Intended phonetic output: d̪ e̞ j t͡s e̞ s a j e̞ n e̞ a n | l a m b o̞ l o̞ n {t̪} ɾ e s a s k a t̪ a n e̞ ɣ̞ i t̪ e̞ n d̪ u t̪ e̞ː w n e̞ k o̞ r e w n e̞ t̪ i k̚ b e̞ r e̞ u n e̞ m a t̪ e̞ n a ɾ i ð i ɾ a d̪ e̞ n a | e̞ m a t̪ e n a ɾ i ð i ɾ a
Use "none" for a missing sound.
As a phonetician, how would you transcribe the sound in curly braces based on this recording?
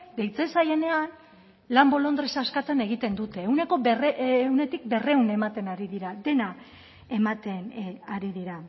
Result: d̪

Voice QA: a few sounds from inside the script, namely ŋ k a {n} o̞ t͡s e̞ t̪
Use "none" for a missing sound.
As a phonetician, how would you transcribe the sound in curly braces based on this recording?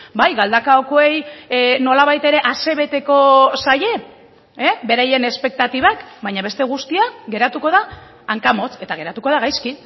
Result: m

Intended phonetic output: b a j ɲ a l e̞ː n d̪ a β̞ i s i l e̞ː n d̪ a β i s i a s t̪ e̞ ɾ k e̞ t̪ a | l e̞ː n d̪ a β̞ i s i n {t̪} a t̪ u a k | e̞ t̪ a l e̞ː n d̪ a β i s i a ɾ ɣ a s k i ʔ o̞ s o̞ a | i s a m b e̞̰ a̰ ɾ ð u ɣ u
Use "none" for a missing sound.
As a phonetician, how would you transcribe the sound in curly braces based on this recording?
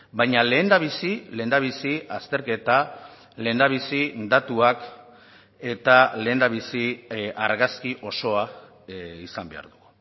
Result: d̪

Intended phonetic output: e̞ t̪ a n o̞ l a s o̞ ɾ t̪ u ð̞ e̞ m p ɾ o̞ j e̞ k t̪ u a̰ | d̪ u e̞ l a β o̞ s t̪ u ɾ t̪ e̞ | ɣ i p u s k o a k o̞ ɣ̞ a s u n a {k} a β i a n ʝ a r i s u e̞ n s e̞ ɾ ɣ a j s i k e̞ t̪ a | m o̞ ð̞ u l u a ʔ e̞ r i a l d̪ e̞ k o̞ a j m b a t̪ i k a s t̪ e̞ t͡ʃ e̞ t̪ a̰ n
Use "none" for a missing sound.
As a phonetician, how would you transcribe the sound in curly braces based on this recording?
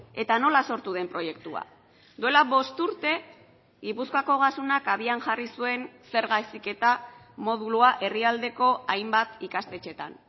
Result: k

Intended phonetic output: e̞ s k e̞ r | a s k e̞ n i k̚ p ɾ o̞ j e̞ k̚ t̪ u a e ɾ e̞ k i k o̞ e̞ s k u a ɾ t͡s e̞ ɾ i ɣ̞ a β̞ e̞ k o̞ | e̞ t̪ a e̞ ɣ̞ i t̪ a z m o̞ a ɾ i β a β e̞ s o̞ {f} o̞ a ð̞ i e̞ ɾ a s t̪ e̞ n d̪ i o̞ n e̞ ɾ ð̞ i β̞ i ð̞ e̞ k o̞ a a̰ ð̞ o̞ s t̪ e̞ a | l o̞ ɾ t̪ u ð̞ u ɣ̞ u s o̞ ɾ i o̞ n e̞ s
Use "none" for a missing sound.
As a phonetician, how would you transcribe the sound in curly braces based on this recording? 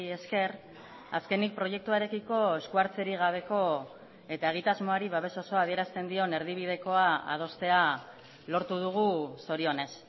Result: s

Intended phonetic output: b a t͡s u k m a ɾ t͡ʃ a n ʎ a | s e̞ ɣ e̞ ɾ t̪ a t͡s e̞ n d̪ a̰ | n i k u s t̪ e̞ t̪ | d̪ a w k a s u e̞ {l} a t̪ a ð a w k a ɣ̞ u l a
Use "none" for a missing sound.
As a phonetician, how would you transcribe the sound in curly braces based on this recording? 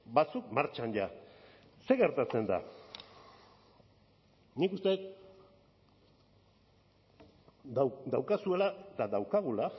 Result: l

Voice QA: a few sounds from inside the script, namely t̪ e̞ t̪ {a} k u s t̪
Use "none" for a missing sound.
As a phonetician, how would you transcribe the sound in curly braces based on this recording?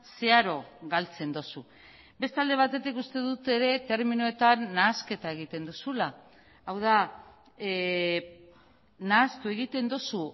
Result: i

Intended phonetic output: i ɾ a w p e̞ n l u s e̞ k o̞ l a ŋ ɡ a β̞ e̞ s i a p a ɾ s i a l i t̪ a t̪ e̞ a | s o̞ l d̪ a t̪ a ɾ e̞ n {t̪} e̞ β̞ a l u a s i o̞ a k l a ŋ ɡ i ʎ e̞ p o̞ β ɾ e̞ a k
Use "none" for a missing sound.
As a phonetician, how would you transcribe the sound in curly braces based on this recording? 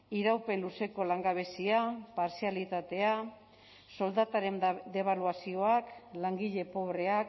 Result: d̪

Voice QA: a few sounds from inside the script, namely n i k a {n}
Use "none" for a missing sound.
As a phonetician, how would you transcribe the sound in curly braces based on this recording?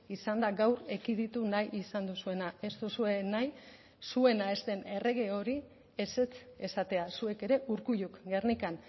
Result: n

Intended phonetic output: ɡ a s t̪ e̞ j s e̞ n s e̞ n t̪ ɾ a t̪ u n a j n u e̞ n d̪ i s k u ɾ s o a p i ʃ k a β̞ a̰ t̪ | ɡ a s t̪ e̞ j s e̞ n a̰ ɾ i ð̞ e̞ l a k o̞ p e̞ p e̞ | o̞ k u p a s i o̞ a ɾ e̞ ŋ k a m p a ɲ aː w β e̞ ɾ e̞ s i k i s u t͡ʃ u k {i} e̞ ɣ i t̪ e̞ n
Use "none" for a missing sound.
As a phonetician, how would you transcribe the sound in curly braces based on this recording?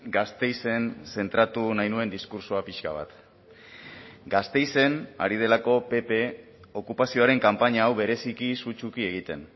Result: i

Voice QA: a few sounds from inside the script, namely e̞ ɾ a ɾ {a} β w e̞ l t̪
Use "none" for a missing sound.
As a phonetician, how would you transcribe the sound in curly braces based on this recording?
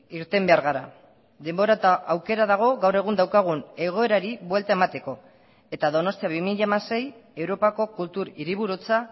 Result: i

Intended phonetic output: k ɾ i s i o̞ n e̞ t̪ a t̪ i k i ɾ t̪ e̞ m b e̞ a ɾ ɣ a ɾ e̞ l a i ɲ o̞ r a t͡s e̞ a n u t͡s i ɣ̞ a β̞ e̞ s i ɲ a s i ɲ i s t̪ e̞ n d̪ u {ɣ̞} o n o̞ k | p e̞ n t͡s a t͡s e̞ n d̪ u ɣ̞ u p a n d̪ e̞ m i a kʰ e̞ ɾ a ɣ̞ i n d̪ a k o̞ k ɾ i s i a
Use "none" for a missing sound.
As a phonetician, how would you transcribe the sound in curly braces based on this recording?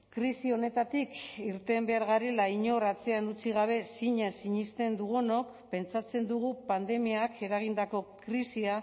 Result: ɣ̞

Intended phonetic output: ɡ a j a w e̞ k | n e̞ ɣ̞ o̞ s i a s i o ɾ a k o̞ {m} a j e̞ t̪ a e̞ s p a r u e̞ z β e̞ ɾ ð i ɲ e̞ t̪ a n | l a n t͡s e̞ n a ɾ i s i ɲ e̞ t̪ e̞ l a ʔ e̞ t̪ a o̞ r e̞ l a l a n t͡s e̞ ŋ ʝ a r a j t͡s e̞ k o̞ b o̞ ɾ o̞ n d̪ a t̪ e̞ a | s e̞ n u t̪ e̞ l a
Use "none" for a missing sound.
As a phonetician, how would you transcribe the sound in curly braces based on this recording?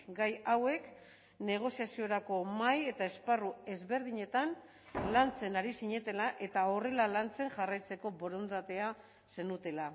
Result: m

